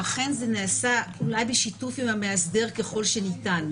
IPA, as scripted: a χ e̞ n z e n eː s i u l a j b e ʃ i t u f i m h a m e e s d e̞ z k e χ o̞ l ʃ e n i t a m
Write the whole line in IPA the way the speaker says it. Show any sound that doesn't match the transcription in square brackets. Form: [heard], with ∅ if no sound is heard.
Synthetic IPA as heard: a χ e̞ n z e n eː s [a] u l a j b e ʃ i t u f i m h a m e [a] s d e̞ [ʁ] k e χ o̞ l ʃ e n i t a [n]